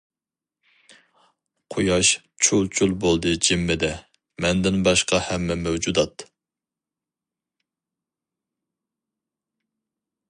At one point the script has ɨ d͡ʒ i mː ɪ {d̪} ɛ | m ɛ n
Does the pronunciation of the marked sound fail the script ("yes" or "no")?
no